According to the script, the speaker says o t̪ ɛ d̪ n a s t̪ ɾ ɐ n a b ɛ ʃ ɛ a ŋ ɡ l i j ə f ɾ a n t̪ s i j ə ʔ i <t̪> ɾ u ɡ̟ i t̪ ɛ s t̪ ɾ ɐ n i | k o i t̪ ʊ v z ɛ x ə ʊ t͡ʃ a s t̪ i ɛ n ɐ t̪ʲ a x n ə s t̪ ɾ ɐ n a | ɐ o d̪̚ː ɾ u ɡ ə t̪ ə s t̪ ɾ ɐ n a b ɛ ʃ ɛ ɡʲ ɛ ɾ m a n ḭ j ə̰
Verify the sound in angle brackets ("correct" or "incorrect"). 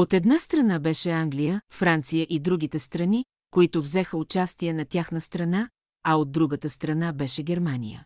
incorrect